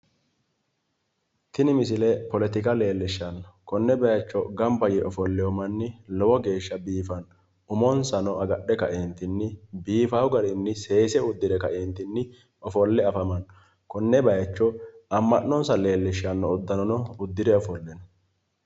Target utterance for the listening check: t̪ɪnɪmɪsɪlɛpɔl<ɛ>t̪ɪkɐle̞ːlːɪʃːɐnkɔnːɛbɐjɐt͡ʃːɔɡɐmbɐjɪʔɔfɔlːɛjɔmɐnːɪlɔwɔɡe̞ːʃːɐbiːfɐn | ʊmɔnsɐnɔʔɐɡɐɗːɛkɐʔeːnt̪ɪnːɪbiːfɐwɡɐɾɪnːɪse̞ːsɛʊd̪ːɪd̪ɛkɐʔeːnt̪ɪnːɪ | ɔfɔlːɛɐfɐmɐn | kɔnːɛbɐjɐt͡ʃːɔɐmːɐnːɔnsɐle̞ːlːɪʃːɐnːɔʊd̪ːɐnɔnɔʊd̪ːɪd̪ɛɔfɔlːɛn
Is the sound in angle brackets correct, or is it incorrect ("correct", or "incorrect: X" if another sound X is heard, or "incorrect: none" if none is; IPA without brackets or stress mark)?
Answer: correct